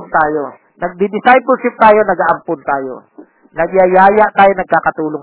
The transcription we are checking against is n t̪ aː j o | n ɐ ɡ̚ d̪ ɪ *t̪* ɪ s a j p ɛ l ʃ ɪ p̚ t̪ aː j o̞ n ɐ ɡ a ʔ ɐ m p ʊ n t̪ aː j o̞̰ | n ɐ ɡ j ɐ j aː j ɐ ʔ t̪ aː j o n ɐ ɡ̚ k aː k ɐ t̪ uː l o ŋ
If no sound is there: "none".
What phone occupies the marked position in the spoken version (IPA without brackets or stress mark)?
d̪